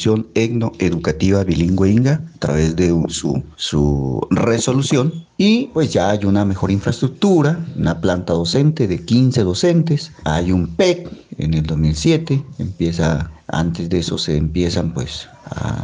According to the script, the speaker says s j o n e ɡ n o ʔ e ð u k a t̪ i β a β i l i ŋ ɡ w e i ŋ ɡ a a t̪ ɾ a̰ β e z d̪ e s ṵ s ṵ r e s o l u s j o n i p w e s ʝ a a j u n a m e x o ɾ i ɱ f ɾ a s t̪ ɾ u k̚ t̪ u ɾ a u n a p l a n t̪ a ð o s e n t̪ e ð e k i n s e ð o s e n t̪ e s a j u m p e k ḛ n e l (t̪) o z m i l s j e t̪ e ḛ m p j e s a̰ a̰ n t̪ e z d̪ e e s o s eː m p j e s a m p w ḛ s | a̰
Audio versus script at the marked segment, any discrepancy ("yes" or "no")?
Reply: yes